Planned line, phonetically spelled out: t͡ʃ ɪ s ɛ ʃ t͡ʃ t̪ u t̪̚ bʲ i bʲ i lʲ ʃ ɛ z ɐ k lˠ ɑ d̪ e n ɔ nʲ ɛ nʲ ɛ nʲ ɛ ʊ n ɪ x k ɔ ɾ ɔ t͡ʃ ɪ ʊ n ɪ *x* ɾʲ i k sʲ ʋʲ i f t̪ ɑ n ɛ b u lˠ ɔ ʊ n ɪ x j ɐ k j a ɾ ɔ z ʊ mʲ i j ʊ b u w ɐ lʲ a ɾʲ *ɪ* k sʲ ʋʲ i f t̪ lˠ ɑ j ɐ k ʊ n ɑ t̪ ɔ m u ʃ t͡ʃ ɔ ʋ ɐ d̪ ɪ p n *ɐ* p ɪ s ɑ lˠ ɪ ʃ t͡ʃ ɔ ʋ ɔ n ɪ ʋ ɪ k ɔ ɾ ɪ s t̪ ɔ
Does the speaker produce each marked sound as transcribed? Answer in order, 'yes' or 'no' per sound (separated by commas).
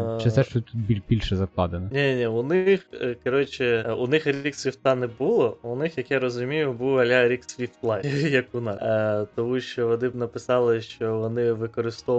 yes, no, yes